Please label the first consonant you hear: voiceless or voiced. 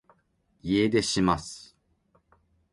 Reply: voiced